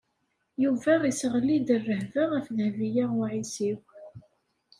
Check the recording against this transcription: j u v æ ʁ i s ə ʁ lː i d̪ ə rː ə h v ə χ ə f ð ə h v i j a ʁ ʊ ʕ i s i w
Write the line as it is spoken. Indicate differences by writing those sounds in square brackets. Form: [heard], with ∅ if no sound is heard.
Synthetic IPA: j u v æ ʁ i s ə ʁ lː i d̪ ə rː ə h v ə [ʁ] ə f ð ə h v i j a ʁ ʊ ʕ i s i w